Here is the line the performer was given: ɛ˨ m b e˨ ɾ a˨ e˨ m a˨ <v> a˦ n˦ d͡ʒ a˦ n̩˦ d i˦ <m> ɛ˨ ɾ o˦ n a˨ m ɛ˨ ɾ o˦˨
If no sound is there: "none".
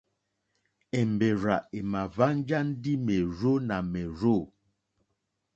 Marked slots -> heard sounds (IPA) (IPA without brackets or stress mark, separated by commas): v, m